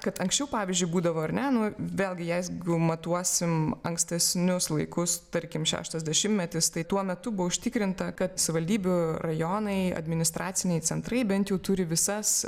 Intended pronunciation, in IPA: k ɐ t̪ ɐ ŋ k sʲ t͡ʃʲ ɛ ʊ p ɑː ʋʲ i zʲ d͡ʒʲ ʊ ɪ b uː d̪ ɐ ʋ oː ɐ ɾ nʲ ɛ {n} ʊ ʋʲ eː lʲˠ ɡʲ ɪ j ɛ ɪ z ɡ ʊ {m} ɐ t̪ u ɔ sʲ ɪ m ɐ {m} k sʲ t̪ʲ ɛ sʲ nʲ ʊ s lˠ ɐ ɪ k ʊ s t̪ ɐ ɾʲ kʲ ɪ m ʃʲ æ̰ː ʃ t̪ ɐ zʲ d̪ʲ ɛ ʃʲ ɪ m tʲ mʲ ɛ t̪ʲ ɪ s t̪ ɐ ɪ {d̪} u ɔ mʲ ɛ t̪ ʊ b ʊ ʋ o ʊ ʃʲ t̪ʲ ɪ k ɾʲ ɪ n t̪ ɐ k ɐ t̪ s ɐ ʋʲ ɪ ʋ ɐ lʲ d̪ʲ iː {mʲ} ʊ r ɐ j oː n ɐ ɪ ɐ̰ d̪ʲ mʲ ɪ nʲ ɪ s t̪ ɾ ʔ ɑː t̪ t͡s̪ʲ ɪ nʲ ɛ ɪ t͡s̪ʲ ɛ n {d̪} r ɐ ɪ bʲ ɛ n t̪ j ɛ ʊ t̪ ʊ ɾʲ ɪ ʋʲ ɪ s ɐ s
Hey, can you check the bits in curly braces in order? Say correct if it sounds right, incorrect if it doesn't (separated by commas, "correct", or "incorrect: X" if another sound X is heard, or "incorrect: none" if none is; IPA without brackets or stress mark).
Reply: correct, correct, incorrect: ŋ, incorrect: t̪, incorrect: bʲ, incorrect: t̪